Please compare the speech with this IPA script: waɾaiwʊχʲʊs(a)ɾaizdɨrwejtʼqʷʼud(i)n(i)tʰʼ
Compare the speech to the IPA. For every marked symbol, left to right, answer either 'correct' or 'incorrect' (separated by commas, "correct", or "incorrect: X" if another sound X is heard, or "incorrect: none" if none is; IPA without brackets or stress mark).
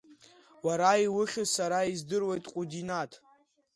correct, correct, incorrect: a